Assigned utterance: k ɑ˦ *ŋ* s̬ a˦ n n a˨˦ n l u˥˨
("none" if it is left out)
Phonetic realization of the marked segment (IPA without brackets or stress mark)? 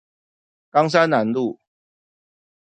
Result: ŋ